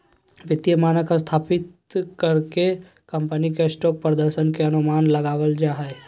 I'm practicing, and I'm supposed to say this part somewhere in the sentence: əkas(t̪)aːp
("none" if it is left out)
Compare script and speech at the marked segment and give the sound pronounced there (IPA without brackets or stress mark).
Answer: t̪ʰ